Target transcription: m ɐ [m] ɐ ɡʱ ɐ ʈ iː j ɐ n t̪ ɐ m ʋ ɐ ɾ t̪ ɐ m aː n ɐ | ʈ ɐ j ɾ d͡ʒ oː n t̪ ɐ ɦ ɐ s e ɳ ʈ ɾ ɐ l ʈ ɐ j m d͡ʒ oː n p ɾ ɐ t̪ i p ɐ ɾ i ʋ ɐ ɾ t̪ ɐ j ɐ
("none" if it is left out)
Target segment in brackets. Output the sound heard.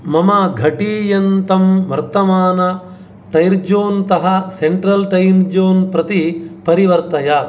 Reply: m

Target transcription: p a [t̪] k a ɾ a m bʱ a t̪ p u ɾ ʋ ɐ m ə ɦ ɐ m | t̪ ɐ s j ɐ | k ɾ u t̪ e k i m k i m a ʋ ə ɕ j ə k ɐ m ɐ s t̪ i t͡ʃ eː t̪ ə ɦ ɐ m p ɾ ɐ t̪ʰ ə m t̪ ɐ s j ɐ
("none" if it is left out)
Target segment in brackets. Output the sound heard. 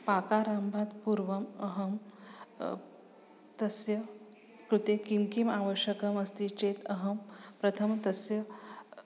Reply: none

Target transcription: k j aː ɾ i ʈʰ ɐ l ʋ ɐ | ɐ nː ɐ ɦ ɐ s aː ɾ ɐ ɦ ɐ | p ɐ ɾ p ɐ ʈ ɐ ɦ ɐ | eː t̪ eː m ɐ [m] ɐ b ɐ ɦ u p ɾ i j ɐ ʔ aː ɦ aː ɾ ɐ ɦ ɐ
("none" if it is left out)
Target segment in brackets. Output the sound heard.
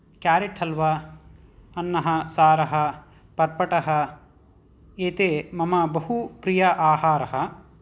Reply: m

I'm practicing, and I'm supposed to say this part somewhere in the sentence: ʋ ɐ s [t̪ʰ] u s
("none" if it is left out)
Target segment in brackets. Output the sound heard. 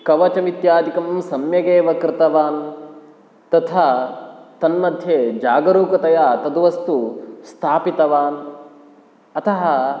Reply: t̪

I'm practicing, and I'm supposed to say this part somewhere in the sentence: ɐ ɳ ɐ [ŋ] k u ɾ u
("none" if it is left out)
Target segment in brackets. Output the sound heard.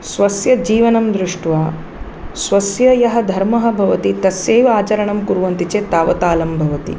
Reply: m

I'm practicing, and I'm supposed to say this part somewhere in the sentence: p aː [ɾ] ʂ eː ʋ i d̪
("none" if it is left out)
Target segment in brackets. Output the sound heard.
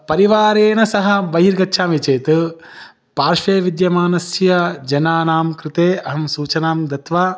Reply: ɾ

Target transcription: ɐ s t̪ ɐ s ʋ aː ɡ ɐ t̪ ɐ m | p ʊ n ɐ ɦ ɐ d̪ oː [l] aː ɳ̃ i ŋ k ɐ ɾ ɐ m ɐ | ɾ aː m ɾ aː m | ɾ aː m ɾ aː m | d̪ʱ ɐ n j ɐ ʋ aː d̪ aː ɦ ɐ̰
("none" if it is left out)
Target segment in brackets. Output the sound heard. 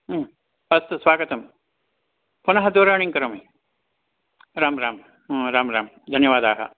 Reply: ɾ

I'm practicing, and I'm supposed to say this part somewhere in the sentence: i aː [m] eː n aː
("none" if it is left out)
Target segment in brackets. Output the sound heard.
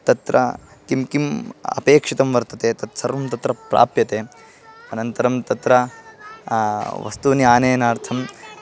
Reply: n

